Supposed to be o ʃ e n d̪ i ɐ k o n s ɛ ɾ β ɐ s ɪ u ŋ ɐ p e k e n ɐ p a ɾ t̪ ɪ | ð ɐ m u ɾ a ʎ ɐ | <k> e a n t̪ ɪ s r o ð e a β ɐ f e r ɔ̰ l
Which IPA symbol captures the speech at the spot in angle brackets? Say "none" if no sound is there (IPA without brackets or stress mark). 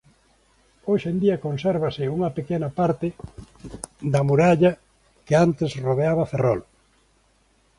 k